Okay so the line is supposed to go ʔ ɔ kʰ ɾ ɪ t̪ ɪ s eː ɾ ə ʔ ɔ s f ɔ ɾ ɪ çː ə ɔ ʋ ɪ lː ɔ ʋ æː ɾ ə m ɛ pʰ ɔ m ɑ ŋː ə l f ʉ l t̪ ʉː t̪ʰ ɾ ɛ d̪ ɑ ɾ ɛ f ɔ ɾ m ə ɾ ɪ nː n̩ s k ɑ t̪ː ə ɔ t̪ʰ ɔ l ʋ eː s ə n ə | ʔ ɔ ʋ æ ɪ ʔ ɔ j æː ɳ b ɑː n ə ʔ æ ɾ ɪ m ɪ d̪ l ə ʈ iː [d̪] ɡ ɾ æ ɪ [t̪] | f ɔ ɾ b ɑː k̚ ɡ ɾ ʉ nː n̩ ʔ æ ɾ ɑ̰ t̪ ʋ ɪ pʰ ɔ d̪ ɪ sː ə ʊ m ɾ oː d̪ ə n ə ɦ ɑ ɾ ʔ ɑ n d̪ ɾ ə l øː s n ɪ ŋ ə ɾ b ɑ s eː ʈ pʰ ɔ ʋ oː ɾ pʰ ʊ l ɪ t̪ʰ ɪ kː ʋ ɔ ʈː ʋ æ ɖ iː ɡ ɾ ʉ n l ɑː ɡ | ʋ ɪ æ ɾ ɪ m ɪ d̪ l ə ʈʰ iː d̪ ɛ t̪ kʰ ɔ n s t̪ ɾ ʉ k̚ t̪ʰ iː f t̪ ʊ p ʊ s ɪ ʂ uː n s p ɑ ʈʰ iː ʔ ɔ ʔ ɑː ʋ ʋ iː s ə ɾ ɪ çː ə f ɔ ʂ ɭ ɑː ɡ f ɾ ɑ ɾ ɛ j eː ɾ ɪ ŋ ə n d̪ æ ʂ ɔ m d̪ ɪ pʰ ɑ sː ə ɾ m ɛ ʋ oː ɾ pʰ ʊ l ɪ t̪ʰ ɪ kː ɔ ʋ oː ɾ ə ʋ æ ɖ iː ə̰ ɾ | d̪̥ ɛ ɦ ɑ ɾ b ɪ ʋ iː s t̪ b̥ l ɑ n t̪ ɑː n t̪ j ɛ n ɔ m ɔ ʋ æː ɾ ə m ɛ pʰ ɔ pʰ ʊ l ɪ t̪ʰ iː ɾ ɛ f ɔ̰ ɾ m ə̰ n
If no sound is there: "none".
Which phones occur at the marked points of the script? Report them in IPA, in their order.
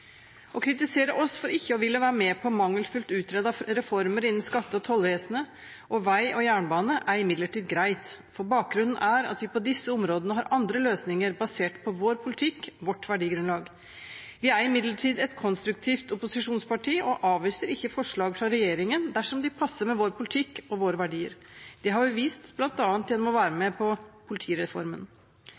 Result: d̪, t̪

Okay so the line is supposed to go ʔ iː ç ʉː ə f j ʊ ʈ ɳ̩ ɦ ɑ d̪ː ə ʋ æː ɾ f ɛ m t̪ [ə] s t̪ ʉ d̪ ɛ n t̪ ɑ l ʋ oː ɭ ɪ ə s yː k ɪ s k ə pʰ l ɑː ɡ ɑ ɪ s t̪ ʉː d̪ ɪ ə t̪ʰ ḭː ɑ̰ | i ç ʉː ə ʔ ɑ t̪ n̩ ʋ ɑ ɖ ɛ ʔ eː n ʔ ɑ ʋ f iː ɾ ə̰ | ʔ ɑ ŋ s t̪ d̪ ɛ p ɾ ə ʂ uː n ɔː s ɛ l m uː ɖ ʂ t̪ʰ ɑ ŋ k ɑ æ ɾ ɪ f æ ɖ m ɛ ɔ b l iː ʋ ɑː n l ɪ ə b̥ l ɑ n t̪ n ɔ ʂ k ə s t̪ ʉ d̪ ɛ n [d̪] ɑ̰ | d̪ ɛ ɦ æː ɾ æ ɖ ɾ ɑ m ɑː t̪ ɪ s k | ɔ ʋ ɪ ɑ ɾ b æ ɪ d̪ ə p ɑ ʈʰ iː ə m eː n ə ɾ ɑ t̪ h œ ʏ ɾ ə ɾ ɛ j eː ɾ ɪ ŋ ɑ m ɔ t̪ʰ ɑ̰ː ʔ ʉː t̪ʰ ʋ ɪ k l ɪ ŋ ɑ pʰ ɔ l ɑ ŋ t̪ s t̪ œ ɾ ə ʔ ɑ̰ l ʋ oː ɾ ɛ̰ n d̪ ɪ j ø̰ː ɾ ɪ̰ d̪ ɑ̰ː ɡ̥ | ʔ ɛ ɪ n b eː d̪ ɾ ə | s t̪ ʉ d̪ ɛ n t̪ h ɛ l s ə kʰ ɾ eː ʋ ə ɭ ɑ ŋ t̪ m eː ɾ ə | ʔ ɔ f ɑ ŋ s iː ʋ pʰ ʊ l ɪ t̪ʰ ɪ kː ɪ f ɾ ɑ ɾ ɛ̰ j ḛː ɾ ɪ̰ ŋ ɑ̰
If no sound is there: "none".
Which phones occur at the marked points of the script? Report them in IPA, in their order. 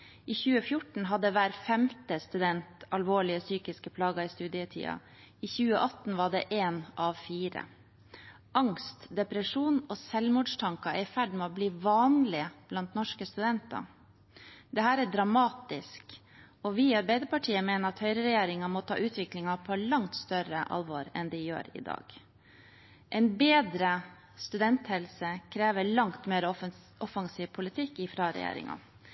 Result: ə, t̪

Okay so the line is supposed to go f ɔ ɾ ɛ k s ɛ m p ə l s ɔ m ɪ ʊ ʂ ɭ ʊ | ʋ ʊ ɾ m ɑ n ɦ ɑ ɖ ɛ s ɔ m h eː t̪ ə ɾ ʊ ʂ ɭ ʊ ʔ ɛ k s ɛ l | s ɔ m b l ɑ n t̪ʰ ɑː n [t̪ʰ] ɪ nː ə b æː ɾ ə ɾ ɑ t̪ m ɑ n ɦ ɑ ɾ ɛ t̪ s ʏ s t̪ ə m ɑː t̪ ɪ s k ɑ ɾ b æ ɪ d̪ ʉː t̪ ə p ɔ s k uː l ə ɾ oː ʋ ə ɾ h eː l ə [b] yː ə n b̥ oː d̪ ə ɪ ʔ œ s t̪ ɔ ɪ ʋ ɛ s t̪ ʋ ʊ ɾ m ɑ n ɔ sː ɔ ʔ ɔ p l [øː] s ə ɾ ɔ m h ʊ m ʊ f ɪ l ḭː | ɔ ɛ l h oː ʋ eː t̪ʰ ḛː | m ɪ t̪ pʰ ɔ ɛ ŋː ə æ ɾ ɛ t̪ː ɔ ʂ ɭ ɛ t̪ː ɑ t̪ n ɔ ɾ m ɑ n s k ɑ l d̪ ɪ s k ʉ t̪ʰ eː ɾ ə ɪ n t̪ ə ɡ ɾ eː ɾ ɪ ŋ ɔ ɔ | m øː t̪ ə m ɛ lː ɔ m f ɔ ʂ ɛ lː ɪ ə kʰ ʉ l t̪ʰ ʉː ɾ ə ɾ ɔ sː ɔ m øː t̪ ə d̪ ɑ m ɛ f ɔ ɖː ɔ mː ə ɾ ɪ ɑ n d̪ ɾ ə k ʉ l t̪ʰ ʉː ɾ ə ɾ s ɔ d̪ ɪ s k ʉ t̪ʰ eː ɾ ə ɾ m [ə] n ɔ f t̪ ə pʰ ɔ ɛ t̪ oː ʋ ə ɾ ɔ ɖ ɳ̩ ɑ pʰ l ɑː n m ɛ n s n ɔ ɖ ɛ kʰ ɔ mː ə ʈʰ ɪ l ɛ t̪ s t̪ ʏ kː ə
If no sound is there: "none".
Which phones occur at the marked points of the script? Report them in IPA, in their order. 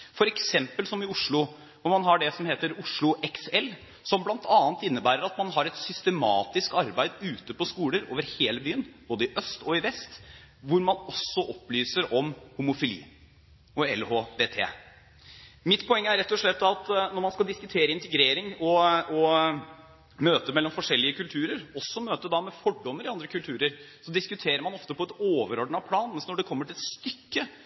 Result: t̪, b, yː, ɑ

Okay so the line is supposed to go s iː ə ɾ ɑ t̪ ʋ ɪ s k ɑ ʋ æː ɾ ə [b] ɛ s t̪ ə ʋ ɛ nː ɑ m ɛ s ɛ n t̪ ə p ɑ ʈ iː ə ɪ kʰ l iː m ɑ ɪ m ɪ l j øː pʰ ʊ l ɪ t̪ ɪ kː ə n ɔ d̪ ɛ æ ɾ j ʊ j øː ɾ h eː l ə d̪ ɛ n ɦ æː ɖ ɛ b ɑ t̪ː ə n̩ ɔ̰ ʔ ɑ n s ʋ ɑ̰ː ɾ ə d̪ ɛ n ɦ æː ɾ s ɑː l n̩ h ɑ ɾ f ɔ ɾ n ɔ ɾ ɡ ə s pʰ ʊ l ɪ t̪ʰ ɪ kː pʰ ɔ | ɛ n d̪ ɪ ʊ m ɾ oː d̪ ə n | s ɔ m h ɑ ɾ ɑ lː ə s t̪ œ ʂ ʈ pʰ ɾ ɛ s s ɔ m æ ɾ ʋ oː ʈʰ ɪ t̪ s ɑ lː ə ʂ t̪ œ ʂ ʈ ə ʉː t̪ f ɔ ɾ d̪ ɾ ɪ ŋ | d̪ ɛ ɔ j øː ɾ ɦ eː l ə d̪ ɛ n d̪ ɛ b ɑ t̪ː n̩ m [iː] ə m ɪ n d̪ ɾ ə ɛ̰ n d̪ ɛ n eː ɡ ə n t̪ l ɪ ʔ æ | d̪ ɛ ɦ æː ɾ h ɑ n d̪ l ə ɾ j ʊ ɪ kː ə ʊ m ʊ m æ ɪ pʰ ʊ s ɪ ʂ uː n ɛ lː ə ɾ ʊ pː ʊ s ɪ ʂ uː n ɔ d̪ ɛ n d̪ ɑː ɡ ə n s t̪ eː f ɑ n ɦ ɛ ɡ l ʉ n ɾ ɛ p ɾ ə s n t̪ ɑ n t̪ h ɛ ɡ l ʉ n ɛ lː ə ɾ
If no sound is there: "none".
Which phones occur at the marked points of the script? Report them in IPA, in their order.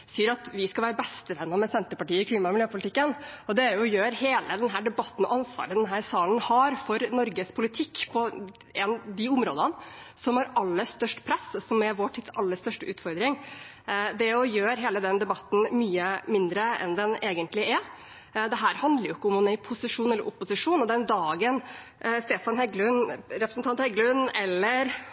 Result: b, yː

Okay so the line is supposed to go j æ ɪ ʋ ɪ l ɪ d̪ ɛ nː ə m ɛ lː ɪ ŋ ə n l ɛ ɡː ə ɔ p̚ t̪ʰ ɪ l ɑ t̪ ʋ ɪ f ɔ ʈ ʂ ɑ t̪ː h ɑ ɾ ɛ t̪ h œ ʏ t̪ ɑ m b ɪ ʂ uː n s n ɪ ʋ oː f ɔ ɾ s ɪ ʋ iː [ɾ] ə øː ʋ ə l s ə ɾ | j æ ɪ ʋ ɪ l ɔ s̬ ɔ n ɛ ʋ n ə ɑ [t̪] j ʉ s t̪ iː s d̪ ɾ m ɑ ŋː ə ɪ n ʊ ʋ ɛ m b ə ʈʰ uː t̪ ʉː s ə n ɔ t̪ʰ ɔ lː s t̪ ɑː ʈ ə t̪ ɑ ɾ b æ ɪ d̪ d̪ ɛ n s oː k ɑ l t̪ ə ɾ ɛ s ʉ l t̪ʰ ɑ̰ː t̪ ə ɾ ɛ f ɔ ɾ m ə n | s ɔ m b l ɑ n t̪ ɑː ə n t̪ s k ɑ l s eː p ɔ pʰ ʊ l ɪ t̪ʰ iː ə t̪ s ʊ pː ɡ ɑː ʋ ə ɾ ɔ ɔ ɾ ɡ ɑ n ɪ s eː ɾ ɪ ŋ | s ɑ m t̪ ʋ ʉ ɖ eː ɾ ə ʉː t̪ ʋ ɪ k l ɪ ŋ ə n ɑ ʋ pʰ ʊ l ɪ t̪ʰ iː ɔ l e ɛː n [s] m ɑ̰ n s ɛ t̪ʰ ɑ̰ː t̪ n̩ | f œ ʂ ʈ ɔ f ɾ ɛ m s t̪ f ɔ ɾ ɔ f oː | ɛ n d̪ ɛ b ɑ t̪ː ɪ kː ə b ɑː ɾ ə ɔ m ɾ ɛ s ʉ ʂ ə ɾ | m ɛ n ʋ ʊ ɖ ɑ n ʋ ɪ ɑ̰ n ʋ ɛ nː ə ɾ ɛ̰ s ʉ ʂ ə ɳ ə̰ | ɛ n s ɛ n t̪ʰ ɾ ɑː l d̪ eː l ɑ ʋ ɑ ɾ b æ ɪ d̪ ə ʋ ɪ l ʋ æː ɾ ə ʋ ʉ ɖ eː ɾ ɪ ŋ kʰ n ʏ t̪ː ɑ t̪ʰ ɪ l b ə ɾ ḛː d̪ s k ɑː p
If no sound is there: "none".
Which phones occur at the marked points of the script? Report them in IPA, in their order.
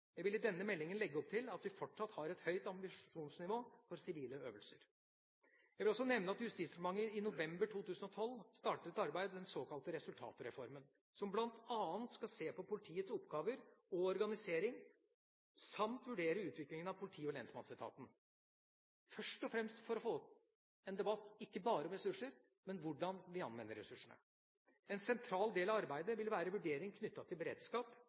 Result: l, t̪, s

